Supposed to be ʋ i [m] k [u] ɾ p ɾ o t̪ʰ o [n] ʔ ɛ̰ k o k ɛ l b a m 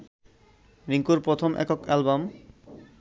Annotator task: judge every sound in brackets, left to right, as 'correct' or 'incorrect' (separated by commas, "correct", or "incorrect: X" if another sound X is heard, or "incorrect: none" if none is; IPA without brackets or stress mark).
incorrect: ŋ, correct, incorrect: m